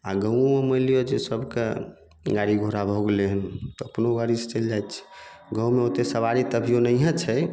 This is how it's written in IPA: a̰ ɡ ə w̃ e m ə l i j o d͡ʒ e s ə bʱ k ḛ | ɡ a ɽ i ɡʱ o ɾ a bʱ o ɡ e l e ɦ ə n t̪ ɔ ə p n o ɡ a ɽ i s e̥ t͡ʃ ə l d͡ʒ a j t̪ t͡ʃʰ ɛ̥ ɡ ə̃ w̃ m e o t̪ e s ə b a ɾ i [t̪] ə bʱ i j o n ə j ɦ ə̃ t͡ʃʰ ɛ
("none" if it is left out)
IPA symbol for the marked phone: t̪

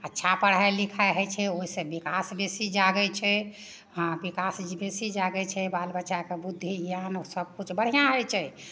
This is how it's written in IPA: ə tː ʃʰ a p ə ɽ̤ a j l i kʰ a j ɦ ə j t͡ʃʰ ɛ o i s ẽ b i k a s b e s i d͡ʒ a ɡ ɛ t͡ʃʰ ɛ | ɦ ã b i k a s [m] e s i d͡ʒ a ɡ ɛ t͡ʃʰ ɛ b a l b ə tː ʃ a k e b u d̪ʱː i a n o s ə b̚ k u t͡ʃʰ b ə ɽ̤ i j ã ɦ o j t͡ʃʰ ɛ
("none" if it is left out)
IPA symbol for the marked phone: b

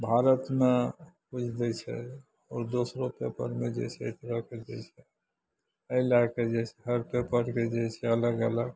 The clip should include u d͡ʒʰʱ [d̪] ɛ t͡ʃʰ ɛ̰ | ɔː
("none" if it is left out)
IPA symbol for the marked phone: d̪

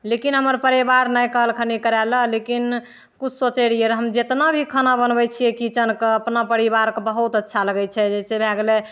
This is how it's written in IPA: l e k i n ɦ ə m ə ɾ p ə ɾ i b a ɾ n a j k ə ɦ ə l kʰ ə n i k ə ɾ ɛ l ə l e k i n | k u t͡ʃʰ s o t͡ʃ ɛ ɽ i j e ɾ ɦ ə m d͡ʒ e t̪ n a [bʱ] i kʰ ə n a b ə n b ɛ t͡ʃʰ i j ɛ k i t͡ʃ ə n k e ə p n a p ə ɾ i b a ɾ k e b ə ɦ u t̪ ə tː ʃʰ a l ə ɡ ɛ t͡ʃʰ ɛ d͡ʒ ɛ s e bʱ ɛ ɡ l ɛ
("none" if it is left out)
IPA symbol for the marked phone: bʱ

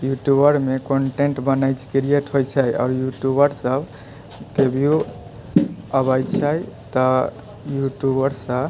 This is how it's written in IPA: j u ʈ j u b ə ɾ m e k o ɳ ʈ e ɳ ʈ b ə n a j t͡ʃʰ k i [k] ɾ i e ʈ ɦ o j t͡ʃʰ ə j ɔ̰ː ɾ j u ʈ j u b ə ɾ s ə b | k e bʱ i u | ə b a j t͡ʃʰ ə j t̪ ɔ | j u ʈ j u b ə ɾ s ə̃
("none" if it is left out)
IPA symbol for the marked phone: none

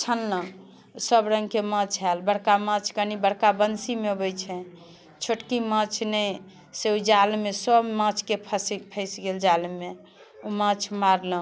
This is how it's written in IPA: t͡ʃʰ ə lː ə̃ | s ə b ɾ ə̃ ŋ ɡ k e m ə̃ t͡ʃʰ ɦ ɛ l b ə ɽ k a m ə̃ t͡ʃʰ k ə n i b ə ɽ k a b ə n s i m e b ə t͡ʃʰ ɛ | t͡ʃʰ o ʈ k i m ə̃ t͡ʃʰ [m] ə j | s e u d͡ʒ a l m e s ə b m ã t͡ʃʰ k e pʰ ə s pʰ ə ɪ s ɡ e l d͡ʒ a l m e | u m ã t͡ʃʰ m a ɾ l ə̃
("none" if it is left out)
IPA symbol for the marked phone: n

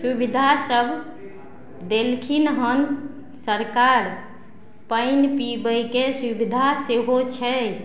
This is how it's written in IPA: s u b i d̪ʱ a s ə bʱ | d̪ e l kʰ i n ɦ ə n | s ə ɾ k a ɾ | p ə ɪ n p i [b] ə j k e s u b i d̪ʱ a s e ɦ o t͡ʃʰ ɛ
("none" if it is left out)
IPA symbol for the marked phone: b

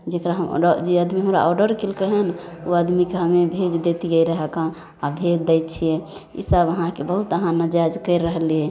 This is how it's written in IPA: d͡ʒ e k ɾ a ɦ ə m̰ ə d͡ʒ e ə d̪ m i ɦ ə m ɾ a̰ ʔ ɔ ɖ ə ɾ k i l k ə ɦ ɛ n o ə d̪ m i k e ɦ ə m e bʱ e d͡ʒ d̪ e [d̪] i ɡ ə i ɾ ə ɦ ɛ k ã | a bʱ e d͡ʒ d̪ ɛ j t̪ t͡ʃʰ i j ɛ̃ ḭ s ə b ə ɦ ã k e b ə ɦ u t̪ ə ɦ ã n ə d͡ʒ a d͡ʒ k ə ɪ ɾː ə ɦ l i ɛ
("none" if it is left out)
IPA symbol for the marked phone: t̪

